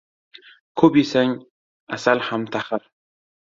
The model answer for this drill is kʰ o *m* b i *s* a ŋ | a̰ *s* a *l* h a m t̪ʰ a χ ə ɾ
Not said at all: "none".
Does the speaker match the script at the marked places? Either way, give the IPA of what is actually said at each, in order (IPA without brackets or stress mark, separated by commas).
none, s, s, l